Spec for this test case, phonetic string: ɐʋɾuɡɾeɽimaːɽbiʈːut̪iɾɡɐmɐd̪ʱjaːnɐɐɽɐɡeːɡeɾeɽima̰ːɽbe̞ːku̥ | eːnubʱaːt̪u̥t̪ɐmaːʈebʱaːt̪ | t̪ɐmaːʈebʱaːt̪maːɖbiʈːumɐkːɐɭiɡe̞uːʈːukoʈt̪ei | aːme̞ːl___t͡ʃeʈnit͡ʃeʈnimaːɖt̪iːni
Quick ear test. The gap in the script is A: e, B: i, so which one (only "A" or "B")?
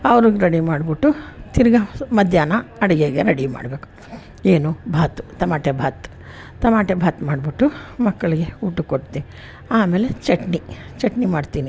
A